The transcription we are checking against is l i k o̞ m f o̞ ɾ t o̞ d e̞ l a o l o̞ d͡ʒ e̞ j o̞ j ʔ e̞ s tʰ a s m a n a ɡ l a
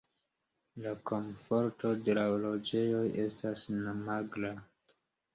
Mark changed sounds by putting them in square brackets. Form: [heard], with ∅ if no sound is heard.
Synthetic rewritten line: l [a] k o̞ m f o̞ ɾ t o̞ d e̞ l a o l o̞ d͡ʒ e̞ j o̞ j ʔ e̞ s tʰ a s [n] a [m] a ɡ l a